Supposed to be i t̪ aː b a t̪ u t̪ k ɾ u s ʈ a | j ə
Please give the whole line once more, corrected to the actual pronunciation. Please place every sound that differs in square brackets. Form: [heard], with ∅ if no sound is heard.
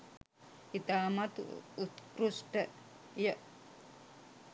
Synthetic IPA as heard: i t̪ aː [m] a t̪ u t̪ k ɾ u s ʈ [ə] | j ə